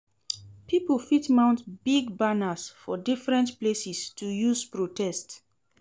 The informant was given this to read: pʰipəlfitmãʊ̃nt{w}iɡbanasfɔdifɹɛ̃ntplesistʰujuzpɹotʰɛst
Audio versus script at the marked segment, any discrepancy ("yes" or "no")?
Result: yes